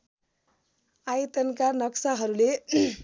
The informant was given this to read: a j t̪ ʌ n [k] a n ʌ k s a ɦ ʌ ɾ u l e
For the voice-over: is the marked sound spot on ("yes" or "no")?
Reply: yes